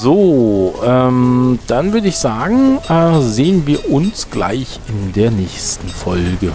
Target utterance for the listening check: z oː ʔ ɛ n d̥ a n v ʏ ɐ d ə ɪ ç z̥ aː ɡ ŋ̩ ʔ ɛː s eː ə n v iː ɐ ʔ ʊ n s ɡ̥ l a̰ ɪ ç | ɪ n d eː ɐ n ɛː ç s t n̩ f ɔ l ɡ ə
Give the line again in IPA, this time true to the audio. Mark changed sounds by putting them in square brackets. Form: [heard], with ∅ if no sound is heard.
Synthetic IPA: z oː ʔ ɛ [m] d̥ a n v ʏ ɐ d ə ɪ ç z̥ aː ɡ ŋ̩ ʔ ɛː [z] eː ə n v iː ɐ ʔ ʊ n s ɡ̥ l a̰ ɪ ç | ɪ n d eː ɐ n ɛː ç s t n̩ f ɔ l ɡ ə